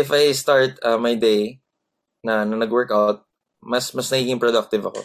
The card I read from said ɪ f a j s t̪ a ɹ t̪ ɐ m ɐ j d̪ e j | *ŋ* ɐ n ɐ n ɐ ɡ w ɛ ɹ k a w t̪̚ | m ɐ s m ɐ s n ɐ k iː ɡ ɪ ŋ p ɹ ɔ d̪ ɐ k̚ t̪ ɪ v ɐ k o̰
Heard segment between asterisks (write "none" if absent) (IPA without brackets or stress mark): n